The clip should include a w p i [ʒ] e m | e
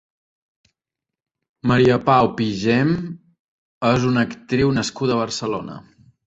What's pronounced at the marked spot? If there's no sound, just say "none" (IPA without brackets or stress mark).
ʒ